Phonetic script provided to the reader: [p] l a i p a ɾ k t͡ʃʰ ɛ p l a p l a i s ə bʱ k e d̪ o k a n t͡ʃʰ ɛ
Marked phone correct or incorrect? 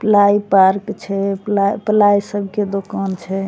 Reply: correct